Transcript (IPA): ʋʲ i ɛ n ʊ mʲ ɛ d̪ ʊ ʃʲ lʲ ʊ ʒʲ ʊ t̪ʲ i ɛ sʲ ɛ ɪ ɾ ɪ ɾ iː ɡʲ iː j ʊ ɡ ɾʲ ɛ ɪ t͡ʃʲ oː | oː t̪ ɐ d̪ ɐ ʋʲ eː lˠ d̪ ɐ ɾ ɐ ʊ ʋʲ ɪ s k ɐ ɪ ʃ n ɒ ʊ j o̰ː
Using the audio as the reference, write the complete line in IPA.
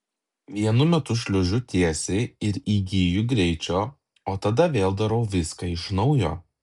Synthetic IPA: ʋʲ i ɛ n ʊ mʲ ɛ t̪ ʊ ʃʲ lʲ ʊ ʒʲ ʊ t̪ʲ i ɛ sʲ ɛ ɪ ɪ ɾ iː ɡʲ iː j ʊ ɡ ɾʲ ɛ ɪ t͡ʃʲ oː | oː t̪ ɐ d̪ ɐ ʋʲ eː lˠ d̪ ɐ ɾ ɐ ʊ ʋʲ ɪ s k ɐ ɪ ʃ n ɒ ʊ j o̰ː